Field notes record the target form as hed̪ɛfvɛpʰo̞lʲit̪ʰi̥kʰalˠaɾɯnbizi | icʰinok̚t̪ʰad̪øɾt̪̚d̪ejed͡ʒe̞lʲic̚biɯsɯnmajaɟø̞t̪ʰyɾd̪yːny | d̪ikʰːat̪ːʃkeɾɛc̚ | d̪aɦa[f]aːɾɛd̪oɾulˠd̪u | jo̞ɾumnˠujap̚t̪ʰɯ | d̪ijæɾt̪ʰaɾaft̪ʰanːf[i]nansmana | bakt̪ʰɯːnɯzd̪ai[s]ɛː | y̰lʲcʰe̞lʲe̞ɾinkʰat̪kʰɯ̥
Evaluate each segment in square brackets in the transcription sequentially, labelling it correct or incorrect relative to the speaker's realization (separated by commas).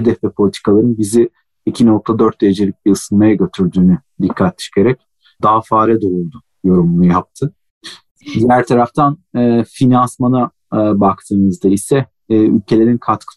correct, correct, correct